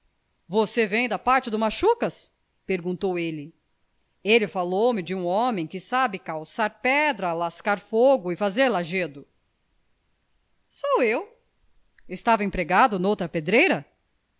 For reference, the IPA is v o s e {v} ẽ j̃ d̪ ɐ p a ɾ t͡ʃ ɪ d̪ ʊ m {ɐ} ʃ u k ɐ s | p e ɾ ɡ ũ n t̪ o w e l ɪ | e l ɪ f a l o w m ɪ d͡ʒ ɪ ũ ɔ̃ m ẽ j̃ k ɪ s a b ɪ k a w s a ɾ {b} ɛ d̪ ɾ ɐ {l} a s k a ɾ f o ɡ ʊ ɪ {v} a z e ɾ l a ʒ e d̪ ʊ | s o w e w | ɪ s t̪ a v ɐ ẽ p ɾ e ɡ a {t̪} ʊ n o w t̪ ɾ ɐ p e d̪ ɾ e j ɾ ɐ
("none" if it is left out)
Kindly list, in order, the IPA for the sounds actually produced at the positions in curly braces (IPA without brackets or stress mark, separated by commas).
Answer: v, a, p, l, f, d̪